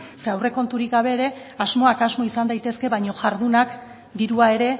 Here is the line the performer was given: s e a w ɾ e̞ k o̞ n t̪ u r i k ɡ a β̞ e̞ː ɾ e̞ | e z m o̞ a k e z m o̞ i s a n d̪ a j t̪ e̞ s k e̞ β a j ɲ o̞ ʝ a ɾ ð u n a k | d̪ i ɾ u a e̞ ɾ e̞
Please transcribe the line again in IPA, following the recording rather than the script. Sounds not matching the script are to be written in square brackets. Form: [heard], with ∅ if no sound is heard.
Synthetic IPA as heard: s e a w [r] e̞ k o̞ n t̪ u [ɾ] i k ɡ a β̞ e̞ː ɾ e̞ | [a] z m o̞ a k [a] z m o̞ i s a n d̪ a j t̪ e̞ s k e̞ β a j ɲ o̞ ʝ a ɾ ð u n a k | d̪ i ɾ u a e̞ ɾ e̞